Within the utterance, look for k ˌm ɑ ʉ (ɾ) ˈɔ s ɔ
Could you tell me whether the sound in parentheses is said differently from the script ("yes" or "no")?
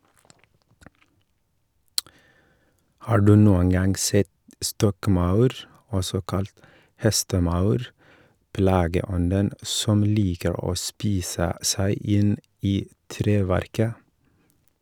no